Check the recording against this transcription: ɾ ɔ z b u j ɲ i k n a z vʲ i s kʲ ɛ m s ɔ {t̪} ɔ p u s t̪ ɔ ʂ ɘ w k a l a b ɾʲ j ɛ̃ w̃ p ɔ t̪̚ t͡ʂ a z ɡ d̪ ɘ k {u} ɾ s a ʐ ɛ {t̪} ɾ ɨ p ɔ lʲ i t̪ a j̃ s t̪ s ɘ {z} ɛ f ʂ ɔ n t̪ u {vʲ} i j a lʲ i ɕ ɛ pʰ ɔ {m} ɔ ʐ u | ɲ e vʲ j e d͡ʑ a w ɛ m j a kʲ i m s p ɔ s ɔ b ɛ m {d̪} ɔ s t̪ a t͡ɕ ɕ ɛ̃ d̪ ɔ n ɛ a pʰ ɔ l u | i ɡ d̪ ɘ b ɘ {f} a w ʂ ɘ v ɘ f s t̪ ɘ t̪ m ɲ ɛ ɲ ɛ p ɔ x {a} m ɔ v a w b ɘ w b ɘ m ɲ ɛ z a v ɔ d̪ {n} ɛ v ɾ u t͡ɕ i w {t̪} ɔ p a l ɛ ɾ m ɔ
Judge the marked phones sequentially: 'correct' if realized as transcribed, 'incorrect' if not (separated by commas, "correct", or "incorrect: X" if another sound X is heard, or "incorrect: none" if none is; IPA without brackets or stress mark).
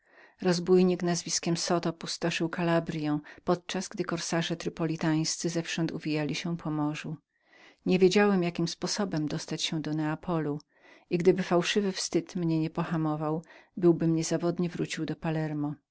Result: correct, incorrect: ɔ, correct, correct, correct, correct, correct, correct, correct, incorrect: ɲ, incorrect: d̪